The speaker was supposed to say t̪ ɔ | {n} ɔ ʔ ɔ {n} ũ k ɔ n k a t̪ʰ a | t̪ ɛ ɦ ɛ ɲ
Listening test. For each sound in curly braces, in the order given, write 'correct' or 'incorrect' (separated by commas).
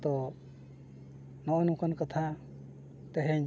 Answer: correct, correct